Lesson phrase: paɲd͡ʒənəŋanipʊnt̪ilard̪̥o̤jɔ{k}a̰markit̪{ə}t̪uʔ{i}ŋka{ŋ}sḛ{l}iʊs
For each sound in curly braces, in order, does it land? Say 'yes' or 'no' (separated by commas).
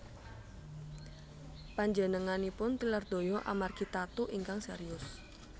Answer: no, no, yes, yes, no